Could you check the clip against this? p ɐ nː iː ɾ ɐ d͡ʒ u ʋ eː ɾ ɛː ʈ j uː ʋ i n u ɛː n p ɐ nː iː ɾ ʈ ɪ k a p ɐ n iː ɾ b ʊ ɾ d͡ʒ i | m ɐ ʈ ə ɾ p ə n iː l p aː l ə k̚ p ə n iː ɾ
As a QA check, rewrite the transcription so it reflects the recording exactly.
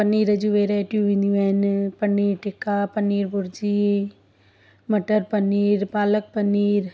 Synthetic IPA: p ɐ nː iː ɾ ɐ d͡ʒ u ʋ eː ɾ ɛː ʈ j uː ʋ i n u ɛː n p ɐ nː iː ɾ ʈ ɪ k a p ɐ n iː ɾ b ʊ ɾ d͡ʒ i | m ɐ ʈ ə ɾ p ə n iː ɾ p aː l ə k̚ p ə n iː ɾ